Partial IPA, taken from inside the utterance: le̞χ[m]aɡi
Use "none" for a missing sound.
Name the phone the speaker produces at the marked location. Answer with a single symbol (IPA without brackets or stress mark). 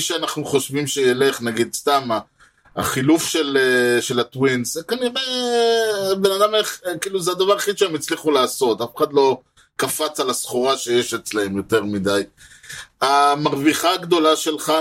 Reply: n